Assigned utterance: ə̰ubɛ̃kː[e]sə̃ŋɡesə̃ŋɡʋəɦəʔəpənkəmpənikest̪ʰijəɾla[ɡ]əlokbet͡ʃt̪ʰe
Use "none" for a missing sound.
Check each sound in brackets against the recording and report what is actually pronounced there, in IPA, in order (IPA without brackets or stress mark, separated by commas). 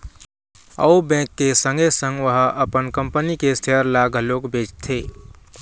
e, ɡ